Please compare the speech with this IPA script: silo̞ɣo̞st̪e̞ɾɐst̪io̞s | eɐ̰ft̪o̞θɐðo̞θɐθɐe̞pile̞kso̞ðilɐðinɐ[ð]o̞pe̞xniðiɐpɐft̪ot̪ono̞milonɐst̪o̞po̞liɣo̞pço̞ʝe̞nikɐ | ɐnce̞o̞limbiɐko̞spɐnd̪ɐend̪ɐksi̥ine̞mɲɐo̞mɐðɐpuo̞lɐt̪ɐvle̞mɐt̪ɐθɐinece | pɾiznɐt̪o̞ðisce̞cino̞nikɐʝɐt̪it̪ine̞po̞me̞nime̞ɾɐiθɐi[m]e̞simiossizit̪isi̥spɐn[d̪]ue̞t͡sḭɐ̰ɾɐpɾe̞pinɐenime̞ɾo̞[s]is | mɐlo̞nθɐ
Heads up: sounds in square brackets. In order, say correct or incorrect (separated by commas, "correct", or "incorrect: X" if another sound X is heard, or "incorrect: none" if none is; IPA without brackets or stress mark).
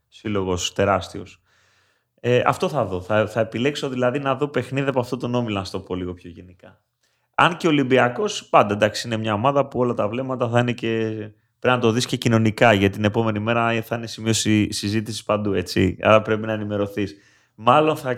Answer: correct, incorrect: n, correct, incorrect: θ